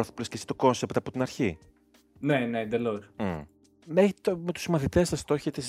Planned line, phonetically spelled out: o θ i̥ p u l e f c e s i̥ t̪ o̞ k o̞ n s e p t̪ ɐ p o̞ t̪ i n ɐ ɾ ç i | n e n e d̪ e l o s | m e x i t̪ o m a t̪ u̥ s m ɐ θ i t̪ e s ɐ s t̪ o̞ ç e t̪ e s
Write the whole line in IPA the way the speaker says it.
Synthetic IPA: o θ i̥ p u l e s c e s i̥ t̪ o̞ k o̞ n s e p t̪ ɐ p o̞ t̪ i n ɐ ɾ ç i | n e n e d̪ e l o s | m e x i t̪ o m e t̪ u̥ s m ɐ θ i t̪ e s ɐ s t̪ o̞ ç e t̪ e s